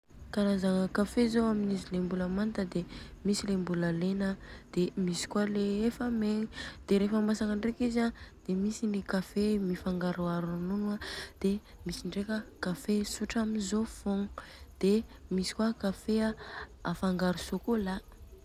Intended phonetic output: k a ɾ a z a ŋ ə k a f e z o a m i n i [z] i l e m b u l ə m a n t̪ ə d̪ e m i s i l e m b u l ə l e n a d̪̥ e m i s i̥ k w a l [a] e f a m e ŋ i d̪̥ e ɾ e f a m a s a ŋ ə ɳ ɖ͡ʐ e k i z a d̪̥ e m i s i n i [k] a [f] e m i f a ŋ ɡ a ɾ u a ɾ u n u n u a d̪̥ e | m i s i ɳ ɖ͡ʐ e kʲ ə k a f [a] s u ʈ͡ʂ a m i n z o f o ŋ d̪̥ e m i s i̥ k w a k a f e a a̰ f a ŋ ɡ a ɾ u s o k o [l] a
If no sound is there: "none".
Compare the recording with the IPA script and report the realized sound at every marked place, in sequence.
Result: z, e, k, f, e, l

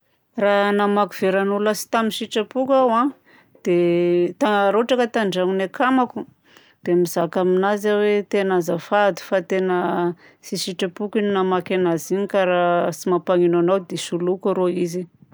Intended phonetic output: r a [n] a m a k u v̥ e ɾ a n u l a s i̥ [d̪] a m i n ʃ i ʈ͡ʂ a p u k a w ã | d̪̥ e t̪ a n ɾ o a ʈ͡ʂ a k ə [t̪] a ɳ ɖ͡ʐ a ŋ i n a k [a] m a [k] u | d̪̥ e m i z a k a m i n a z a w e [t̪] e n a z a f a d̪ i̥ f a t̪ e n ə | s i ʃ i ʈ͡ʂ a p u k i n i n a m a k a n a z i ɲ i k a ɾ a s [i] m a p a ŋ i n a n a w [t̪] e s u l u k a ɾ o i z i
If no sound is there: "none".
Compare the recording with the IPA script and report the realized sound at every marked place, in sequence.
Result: n, t̪, t̪, a, k, t̪, i, d̪

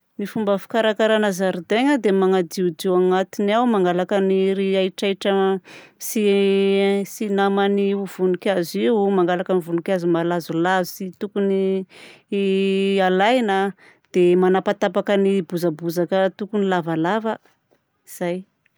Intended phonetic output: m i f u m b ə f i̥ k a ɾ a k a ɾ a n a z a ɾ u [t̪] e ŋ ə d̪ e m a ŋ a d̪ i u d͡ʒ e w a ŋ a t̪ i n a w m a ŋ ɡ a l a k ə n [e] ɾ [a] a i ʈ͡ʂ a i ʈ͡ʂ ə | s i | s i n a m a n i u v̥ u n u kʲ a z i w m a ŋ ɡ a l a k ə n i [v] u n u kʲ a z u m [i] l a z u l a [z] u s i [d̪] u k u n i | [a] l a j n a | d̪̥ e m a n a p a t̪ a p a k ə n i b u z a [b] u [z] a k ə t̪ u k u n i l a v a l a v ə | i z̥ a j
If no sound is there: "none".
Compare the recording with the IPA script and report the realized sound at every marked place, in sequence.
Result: d̪, i, i, v, a, z, t̪, a, b, z

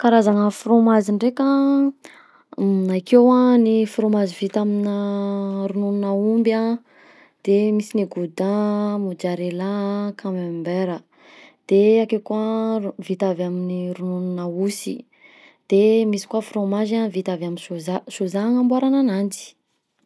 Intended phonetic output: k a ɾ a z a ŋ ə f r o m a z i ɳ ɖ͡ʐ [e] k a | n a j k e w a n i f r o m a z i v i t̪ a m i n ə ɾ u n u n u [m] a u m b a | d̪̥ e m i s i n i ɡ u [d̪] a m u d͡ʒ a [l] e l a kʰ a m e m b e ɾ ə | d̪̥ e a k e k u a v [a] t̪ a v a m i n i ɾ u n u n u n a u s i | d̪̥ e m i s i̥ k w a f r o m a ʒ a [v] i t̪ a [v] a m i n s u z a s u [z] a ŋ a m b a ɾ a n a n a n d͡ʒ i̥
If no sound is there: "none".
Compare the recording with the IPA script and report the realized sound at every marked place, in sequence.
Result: e, n, d̪, ɾ, i, v, v, z

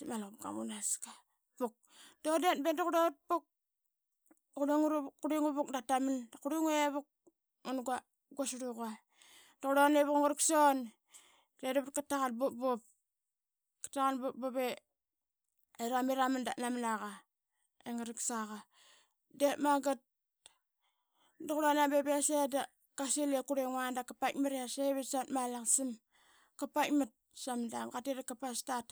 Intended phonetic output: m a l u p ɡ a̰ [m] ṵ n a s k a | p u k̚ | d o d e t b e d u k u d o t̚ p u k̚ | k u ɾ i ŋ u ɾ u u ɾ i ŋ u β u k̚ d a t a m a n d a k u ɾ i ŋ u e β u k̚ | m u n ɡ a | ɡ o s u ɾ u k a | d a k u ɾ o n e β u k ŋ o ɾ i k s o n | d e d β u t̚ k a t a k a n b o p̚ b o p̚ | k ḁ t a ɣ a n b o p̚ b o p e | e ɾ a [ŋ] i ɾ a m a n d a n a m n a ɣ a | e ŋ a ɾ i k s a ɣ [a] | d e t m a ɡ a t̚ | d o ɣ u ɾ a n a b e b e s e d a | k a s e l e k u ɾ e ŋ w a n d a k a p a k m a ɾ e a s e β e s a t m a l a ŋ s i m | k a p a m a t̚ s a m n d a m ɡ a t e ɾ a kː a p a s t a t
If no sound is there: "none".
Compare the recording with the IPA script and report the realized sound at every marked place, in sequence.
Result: m, m, a

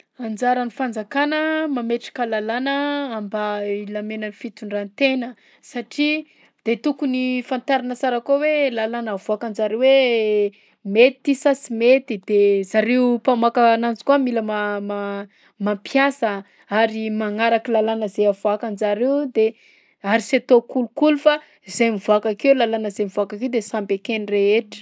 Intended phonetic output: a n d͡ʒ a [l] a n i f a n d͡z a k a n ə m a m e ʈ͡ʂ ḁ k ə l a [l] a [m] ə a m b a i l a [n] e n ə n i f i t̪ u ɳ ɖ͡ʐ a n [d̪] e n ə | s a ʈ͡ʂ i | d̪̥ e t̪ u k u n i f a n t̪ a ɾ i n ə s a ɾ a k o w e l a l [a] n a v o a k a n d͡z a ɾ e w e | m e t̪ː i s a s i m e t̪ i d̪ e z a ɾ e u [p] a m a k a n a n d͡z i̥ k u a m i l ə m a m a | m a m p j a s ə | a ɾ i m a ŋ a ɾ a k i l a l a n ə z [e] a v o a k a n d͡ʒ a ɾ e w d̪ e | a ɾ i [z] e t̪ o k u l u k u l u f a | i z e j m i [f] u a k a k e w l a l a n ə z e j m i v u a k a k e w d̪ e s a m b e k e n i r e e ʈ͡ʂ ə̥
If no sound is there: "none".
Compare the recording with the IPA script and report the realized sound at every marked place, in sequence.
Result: ɾ, l, n, m, t̪, a, p, e, s, v

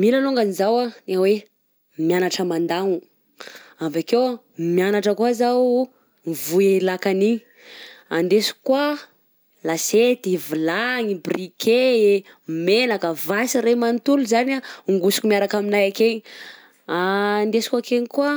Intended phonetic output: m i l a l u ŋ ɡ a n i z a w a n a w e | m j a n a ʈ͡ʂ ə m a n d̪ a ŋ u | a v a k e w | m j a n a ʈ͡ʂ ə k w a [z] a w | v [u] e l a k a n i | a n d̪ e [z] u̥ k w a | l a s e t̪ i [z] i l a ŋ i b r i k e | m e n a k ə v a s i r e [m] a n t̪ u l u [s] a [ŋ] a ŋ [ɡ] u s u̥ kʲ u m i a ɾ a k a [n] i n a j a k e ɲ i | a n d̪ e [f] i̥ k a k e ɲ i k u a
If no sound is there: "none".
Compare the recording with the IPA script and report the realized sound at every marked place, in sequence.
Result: z, u, s, v, m, z, n, ɡ, m, s

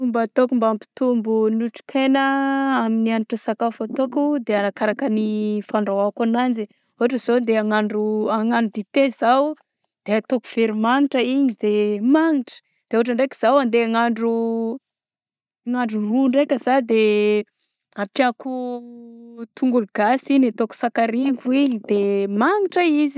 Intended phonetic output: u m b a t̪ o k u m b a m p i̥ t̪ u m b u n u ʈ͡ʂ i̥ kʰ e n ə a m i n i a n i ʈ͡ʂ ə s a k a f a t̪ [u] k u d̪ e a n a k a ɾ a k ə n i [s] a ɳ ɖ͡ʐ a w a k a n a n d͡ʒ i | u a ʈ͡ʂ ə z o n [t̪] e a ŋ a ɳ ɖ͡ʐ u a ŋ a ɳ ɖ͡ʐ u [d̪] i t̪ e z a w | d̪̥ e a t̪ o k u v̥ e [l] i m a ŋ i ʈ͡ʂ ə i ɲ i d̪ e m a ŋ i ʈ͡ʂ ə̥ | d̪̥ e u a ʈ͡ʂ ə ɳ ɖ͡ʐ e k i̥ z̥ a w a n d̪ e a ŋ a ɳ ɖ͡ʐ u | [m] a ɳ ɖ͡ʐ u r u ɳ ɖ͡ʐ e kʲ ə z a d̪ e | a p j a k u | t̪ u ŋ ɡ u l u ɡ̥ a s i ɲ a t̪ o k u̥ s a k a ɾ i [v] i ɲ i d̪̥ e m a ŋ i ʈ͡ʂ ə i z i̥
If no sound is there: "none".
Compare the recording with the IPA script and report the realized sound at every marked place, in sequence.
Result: o, f, d̪, d̪, ɾ, ŋ, v

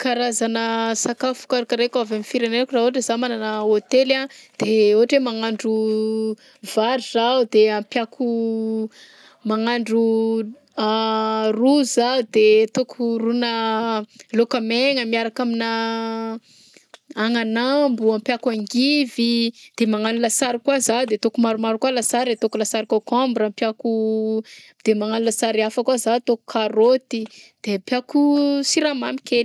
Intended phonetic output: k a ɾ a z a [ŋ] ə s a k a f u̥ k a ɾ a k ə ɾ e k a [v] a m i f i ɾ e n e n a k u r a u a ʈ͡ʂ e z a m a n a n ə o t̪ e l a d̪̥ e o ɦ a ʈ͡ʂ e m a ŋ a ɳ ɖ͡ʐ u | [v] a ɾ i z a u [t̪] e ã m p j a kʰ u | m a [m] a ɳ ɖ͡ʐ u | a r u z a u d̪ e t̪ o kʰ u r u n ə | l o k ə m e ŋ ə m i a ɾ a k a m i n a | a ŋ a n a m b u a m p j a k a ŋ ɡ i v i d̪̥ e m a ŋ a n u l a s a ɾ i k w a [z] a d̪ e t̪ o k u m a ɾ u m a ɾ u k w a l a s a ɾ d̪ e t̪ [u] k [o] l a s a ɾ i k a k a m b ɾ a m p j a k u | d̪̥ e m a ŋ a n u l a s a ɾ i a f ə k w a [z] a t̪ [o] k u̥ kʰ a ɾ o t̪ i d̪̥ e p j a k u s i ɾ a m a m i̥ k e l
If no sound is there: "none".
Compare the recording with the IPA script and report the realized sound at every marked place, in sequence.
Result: n, v, v, d̪, ŋ, z, o, u, z, o

